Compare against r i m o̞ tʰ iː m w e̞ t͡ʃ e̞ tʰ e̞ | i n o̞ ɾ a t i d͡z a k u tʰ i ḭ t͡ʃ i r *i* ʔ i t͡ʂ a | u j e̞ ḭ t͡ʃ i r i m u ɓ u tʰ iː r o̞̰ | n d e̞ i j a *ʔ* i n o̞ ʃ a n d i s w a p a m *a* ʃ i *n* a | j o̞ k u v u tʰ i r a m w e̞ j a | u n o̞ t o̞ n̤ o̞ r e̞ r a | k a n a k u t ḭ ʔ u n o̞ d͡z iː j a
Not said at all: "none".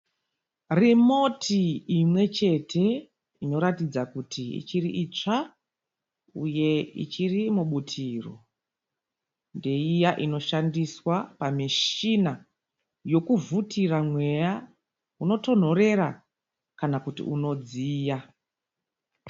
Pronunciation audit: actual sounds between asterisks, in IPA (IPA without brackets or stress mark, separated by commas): i, ʔ, i, n